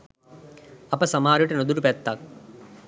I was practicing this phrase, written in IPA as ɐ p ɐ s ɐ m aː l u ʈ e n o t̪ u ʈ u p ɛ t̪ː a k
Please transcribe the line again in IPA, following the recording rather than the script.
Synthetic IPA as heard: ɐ p ɐ s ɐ m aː ɾ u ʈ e n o d̪ u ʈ u p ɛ t̪ː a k